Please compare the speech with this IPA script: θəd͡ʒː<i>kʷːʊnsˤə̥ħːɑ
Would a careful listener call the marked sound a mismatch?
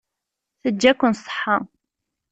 yes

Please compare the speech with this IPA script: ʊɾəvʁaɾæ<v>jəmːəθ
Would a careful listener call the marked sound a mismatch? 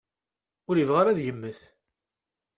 yes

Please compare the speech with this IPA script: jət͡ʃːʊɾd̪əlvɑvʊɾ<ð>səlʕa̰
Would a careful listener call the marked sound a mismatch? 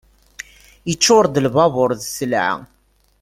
no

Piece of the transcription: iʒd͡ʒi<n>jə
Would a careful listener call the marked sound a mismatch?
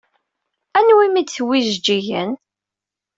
yes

